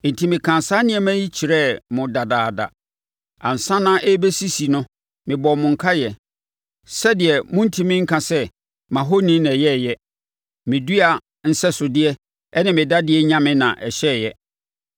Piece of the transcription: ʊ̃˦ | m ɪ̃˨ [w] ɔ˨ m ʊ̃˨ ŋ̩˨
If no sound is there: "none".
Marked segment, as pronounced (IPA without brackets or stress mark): b